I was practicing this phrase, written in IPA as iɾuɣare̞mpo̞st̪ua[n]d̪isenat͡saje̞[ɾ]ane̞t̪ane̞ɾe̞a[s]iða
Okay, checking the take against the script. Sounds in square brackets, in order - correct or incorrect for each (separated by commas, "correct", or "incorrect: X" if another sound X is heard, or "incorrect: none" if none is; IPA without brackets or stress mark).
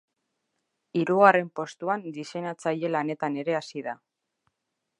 correct, incorrect: l, correct